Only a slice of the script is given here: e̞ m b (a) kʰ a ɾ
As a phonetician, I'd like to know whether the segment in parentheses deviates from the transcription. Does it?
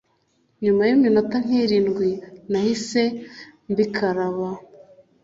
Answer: yes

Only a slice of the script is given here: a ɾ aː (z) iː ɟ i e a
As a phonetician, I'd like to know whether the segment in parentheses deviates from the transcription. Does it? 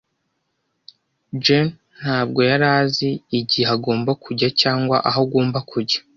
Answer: no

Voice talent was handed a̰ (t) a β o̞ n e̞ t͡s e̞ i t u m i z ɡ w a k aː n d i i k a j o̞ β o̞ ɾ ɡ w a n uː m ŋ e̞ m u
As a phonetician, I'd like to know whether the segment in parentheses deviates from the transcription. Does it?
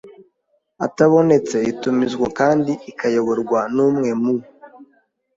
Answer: no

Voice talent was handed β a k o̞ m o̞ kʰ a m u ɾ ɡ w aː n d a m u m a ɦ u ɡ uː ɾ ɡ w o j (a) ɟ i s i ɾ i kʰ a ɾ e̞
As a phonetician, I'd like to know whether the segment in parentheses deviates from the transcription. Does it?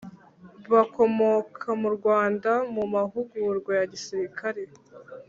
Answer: no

